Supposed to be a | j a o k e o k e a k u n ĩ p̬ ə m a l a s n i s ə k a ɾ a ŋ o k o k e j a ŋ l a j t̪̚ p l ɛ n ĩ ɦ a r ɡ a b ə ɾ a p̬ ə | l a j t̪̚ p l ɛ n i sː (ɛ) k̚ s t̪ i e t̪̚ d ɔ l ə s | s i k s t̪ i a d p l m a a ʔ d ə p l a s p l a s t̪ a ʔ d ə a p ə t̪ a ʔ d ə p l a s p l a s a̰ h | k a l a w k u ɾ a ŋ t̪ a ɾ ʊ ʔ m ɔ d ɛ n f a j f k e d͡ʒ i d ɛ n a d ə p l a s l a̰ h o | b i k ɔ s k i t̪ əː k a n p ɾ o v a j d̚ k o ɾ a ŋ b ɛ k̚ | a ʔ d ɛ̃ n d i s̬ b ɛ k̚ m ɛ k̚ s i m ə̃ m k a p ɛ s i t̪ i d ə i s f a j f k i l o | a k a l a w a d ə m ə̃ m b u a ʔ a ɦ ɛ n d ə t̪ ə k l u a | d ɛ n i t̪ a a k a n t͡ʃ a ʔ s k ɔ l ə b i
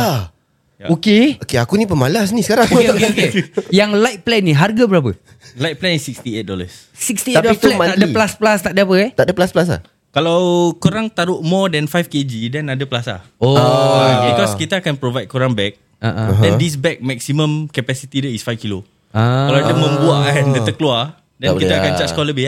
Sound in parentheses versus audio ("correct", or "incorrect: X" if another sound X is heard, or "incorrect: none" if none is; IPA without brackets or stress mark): incorrect: i